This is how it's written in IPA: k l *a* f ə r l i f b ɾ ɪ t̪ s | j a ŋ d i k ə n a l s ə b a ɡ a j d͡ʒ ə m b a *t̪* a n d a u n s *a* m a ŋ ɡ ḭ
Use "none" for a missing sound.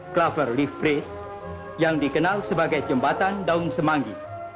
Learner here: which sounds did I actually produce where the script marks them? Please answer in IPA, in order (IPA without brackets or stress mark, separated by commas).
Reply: a, t̪, ə